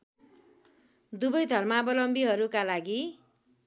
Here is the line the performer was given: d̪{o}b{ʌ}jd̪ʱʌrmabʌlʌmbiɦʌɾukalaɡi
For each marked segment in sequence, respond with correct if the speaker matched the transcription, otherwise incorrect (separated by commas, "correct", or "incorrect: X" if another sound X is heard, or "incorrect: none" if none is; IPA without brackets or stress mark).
incorrect: u, correct